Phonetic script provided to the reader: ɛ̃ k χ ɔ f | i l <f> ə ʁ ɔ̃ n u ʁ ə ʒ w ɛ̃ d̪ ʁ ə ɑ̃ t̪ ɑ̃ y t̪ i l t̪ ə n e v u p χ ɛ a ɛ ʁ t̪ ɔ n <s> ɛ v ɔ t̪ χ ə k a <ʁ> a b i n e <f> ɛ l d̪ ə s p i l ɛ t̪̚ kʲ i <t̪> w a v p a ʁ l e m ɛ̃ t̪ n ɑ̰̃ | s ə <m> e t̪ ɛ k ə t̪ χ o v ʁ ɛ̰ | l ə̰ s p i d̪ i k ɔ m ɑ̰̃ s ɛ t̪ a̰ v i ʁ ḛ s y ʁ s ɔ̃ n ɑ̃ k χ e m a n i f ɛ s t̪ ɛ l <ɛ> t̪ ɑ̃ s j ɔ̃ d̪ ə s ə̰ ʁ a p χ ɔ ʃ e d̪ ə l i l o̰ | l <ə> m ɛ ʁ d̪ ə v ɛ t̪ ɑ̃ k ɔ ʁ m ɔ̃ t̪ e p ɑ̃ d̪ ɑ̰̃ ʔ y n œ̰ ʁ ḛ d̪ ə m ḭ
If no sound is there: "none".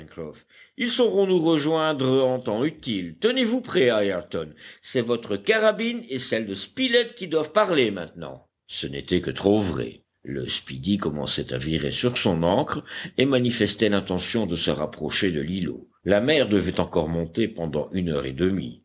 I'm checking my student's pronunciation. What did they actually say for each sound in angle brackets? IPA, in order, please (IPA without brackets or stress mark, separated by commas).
s, s, ʁ, s, d̪, n, ɛ̃, a